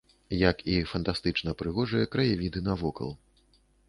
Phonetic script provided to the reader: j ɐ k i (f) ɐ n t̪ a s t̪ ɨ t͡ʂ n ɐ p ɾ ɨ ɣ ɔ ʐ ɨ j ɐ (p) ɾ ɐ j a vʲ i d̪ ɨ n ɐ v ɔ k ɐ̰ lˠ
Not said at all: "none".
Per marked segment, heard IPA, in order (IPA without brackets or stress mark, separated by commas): f, k